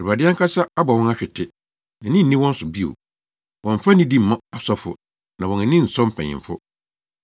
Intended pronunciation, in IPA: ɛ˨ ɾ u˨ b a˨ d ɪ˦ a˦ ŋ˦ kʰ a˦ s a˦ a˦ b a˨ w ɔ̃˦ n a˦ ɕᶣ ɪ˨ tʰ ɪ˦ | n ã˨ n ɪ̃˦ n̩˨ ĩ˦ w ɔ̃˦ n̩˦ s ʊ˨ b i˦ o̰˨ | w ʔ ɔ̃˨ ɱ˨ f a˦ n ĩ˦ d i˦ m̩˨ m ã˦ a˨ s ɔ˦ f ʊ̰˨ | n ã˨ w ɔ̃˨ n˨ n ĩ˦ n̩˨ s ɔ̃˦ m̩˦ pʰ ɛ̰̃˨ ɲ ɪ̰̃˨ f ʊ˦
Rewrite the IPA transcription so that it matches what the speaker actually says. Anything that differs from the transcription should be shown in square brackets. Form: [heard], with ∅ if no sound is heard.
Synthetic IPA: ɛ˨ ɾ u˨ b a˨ d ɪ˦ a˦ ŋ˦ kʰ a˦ s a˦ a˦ b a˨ w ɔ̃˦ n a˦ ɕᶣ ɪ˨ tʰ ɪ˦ | n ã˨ n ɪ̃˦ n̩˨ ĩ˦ w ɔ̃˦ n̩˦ s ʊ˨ b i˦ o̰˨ | w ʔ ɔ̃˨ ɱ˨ f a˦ n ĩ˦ d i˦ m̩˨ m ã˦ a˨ s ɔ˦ f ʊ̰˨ | n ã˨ w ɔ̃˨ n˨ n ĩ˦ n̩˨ s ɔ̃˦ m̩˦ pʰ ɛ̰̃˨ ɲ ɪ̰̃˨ f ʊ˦